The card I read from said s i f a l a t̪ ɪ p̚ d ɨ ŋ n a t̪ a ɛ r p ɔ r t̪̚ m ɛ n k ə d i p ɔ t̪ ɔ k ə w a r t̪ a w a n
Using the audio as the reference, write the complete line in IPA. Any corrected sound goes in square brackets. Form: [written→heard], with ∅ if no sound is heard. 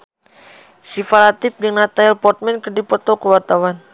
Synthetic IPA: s i f a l a t̪ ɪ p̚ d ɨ ŋ n a t̪ a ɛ [r→l] p ɔ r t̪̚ m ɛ n k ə d i p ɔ t̪ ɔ k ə w a r t̪ a w a n